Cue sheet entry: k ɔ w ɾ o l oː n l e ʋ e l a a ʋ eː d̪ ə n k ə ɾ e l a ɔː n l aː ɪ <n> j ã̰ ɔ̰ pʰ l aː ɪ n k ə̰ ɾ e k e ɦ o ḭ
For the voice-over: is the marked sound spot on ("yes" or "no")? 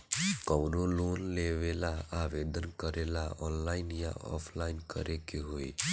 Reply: yes